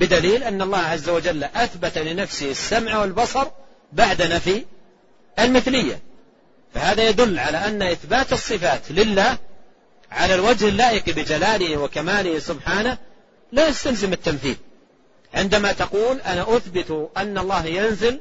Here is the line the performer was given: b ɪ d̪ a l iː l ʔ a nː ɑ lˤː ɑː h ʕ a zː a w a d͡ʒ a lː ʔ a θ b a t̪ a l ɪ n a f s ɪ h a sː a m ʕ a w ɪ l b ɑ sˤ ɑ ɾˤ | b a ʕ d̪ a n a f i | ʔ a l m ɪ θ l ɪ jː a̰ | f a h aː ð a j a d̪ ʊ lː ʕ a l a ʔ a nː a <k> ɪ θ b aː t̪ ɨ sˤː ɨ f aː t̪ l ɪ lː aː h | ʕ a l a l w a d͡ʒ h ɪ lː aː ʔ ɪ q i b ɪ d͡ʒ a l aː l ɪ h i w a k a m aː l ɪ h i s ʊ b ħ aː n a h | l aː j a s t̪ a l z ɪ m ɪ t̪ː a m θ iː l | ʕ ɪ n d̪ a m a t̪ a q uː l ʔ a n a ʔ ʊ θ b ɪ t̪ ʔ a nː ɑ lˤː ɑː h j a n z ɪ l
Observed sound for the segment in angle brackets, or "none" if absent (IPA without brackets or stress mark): ʔ